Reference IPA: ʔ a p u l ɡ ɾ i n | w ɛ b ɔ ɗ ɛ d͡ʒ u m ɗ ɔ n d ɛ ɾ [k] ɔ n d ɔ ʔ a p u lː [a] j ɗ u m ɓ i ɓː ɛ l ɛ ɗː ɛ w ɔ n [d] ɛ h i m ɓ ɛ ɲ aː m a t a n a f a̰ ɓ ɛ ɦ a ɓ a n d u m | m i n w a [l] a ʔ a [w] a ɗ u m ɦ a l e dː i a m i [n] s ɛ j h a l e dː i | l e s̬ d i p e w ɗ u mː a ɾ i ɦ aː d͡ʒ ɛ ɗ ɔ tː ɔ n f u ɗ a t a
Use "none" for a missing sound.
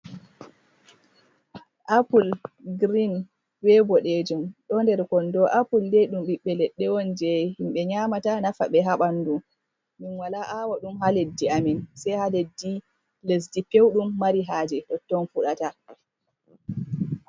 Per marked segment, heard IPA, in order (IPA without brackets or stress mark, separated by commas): k, e, d͡ʒ, l, w, n